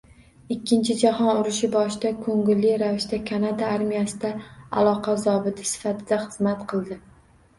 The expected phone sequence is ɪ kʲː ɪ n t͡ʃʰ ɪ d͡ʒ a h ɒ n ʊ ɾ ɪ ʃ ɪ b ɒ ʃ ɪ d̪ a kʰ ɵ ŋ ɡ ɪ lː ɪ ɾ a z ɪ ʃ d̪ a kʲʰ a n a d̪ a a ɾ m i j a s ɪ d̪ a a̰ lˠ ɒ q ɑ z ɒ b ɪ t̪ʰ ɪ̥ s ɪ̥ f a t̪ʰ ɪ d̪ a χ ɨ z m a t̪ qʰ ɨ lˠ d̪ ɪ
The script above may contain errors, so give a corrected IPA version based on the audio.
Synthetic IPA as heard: ɪ kʲː ɪ n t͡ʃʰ ɪ d͡ʒ a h ɒ n ʊ ɾ ɪ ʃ ɪ b ɒ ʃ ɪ d̪ a kʰ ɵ ŋ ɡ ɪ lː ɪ ɾ a v ɪ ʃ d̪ a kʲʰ a n a d̪ a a ɾ m i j a s ɪ d̪ a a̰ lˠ ɒ q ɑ z ɒ b ɪ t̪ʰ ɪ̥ s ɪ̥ f a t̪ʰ ɪ d̪ a χ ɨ z m a t̪ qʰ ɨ lˠ d̪ ɪ

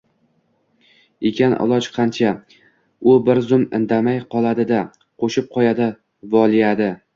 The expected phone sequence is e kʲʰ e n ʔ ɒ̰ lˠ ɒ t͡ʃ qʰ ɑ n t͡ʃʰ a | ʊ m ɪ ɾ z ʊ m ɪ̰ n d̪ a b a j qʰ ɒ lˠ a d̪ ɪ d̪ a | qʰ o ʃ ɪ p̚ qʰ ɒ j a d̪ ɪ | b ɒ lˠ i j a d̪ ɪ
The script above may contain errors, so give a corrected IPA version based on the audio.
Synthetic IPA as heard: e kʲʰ a n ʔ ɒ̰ lˠ ɒ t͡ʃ qʰ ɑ n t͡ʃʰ a | ʊ b ɪ ɾ z ʊ m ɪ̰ n d̪ a m a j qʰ ɒ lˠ a d̪ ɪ d̪ a | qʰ o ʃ ɪ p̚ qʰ ɒ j a d̪ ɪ | v ɒ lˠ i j a d̪ ɪ

